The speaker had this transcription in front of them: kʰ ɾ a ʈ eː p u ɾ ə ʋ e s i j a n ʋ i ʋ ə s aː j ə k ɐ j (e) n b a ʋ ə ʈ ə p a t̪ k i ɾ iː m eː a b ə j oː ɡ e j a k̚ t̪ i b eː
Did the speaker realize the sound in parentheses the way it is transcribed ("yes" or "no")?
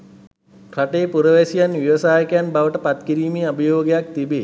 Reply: no